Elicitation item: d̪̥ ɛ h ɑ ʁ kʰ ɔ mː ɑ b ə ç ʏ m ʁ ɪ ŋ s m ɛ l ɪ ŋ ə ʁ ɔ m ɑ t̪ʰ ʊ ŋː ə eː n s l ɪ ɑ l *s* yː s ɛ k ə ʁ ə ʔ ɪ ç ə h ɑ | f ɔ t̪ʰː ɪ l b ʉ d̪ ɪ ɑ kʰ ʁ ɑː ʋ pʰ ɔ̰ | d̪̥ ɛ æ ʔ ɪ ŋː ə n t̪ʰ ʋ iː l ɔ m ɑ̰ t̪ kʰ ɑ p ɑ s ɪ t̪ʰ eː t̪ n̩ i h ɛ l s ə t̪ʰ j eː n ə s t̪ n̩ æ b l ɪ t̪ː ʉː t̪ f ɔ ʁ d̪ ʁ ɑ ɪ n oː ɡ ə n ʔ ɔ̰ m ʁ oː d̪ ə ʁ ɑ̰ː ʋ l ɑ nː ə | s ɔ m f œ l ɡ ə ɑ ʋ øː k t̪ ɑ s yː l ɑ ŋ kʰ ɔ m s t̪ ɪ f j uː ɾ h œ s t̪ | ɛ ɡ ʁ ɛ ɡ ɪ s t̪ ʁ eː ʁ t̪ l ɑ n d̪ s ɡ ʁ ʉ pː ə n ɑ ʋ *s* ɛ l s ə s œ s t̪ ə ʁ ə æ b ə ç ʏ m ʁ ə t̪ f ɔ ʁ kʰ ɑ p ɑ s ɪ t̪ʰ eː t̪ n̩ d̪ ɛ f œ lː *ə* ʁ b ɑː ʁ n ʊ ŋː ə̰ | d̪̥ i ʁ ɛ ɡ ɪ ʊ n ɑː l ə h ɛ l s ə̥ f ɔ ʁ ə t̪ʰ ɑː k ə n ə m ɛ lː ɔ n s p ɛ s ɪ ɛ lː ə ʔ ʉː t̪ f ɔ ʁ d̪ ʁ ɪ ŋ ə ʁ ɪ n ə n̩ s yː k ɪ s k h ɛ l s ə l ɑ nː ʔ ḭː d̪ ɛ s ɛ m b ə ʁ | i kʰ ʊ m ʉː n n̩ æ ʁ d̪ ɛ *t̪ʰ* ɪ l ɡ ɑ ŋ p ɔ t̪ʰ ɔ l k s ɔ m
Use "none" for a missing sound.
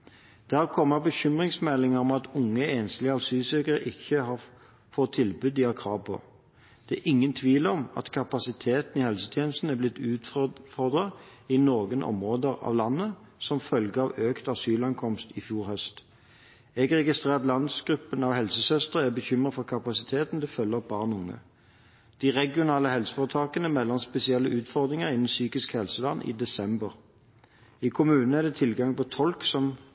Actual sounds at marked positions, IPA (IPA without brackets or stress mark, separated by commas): s, h, ə, t̪ʰ